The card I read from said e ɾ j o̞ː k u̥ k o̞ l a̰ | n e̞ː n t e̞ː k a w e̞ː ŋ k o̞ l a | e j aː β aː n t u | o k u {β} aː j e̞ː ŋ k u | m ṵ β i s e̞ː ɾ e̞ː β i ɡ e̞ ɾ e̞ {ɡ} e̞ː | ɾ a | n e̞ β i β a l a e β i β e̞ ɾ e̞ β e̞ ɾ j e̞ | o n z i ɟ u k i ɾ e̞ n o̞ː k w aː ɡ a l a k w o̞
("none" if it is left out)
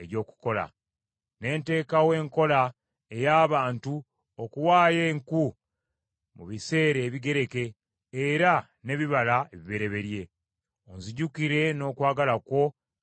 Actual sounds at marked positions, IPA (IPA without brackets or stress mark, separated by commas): w, k